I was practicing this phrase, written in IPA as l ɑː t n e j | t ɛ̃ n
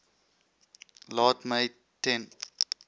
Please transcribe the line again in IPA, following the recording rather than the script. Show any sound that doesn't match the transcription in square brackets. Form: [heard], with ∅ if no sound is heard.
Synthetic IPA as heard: l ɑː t [m] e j | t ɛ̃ n